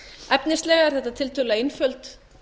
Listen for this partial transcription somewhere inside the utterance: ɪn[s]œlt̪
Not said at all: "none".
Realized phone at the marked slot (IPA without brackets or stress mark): f